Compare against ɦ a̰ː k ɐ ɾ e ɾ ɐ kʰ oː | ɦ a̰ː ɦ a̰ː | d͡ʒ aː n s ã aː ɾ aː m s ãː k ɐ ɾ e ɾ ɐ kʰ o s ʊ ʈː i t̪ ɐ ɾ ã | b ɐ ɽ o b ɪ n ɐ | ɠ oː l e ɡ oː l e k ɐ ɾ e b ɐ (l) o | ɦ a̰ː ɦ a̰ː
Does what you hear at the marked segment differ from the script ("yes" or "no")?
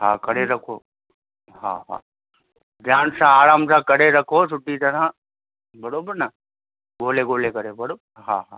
yes